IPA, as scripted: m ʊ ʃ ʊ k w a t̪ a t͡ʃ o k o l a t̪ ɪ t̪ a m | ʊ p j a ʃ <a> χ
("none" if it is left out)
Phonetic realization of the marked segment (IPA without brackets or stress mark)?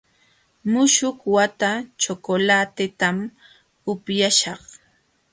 ɑ